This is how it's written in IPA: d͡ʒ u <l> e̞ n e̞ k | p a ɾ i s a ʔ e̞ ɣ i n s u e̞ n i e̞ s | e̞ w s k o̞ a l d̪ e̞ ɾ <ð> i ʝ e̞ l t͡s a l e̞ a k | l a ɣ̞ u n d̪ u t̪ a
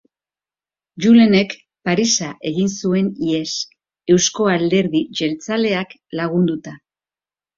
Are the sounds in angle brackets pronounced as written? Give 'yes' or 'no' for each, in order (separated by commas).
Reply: yes, yes